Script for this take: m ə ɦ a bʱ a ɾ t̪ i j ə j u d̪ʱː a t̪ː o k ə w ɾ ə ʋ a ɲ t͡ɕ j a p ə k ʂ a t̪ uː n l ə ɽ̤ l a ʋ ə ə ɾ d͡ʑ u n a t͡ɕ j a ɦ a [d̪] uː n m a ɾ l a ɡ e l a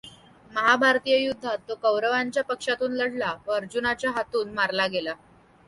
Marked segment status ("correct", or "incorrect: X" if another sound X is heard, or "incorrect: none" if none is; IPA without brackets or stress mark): incorrect: t̪